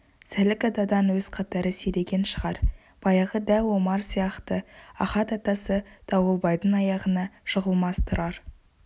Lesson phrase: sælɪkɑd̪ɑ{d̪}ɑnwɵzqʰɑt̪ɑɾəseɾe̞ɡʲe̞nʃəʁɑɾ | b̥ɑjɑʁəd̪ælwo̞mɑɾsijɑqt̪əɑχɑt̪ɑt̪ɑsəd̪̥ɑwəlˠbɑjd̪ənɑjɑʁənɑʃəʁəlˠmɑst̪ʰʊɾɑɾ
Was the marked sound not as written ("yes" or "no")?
no